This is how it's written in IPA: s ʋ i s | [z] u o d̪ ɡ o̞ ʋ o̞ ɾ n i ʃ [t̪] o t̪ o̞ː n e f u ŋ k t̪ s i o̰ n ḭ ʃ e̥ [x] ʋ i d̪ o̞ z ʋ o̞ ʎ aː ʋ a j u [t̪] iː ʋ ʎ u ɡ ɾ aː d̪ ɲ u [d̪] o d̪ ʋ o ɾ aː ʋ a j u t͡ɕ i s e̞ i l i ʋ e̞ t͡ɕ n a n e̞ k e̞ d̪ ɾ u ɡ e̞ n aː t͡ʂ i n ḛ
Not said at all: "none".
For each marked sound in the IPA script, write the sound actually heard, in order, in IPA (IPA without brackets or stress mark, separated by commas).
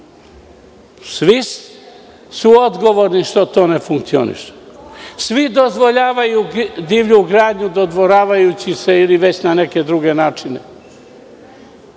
s, t̪, s, d̪, d̪